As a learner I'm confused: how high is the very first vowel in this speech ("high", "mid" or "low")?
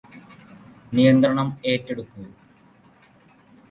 high